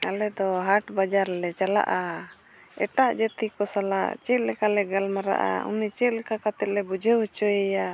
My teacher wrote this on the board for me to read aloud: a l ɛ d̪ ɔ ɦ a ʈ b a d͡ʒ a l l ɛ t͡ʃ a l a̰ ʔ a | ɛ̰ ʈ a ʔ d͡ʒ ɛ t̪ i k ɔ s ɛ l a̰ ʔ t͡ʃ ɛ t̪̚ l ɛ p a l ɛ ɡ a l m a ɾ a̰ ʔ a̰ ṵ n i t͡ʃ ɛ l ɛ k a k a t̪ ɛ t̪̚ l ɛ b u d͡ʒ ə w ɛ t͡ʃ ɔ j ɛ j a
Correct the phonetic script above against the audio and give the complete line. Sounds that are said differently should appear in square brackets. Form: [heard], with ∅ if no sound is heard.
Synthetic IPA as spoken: a l ɛ d̪ ɔ ɦ a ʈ b a d͡ʒ a [ɾ] l ɛ t͡ʃ a l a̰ ʔ a | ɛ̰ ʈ a ʔ d͡ʒ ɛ t̪ i k ɔ s [a] l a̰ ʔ t͡ʃ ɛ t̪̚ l ɛ [k] a l ɛ ɡ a l m a ɾ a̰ ʔ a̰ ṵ n i t͡ʃ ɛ l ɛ k a k a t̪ ɛ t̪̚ l ɛ b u d͡ʒ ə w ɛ t͡ʃ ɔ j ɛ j a